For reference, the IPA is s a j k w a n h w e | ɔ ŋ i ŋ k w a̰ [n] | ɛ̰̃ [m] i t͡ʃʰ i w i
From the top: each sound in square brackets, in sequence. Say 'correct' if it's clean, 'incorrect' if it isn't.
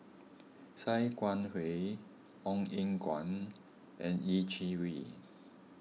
correct, incorrect: n

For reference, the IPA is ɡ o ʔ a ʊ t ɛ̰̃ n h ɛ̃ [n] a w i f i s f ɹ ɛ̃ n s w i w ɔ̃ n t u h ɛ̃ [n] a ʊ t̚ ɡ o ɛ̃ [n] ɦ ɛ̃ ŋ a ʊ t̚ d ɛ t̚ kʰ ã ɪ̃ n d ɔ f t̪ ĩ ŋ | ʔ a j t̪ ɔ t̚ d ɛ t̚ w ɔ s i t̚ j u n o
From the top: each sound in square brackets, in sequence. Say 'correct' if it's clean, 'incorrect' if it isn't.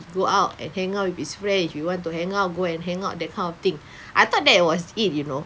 incorrect: ŋ, incorrect: ŋ, correct

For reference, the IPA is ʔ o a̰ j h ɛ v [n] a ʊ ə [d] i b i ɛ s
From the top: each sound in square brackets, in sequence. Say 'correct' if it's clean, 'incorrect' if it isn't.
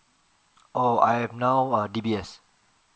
correct, correct

